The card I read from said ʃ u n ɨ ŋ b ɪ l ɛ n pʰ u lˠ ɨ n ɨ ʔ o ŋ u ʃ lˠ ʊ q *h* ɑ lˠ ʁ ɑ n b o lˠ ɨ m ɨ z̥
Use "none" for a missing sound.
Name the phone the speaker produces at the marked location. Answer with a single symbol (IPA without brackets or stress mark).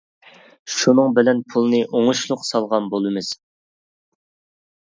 s